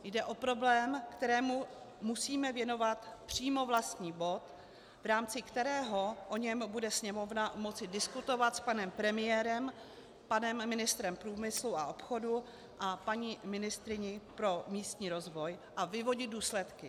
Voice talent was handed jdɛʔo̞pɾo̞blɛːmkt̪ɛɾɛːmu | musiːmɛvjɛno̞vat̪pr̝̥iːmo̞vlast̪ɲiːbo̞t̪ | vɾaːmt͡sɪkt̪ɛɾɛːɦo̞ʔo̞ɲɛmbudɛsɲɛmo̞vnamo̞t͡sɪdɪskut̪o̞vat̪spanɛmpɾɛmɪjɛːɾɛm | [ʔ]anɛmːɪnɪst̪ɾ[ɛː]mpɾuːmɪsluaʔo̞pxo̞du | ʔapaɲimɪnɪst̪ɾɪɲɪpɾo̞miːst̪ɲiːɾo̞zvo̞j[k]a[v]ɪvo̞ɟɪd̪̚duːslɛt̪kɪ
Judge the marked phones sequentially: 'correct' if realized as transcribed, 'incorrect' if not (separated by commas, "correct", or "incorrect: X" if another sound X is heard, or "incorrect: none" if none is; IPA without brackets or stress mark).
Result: incorrect: p, incorrect: ɛ, incorrect: ʔ, correct